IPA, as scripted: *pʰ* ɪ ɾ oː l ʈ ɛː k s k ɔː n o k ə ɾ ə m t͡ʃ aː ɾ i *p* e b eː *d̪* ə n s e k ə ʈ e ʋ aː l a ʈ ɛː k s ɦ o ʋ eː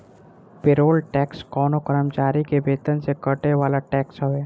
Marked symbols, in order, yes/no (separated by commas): no, no, no